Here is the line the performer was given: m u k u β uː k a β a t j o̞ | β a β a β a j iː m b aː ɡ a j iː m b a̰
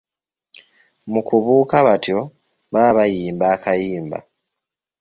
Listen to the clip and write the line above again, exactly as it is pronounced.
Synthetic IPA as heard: m u k u β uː k a β a t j o̞ | β a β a β a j iː m b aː k a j iː m b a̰